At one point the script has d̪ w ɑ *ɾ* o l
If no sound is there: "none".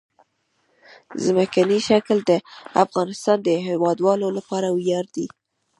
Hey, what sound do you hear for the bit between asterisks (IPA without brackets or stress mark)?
l